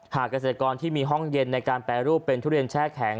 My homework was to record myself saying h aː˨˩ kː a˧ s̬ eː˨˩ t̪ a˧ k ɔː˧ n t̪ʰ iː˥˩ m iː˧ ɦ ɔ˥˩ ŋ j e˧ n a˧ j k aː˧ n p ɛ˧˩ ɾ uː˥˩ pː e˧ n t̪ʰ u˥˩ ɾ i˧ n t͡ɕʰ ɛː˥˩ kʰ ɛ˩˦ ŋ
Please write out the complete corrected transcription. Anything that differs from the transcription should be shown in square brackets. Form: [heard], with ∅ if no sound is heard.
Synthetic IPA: h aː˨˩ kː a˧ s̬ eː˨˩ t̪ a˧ k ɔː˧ n t̪ʰ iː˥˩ m iː˧ ɦ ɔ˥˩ ŋ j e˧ [nː] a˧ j k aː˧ n p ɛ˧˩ ɾ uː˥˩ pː e˧ n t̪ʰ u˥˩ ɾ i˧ n t͡ɕʰ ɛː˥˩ kʰ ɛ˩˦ ŋ